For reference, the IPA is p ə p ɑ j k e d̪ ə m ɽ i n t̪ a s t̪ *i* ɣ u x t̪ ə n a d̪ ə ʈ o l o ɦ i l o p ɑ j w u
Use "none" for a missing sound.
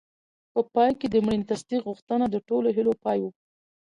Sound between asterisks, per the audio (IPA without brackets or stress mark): i